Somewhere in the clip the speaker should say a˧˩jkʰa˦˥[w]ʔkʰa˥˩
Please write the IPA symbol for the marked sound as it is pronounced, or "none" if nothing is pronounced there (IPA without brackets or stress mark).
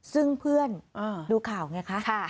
none